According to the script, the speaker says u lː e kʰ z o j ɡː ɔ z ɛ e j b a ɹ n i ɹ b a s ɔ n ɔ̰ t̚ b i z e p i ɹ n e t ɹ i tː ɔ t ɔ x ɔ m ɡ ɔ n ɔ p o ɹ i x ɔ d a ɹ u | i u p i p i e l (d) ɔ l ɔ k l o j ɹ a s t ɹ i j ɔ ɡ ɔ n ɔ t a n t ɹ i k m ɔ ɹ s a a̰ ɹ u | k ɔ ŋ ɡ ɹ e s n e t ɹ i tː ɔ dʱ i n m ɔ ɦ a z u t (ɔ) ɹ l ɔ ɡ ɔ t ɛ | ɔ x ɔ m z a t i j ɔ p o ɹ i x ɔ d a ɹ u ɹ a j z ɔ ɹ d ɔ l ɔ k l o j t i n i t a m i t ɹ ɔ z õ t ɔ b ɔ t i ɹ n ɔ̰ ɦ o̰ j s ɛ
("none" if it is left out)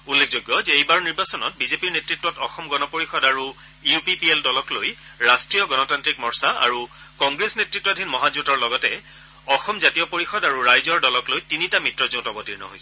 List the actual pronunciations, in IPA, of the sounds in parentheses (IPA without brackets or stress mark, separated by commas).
d, ɔ